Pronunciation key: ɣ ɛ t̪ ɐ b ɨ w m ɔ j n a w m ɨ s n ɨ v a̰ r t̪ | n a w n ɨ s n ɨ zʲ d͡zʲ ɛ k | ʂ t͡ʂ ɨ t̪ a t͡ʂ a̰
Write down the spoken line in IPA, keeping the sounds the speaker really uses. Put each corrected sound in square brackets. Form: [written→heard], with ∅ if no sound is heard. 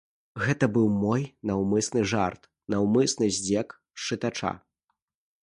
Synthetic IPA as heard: ɣ ɛ t̪ ɐ b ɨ w m ɔ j n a w m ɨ s n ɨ [v→ʐ] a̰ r t̪ | n a w [n→m] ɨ s n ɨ zʲ d͡zʲ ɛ k | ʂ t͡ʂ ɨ t̪ a t͡ʂ a̰